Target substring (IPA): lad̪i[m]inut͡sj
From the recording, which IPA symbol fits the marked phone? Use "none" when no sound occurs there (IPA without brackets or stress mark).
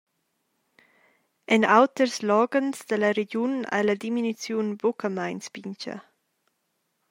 m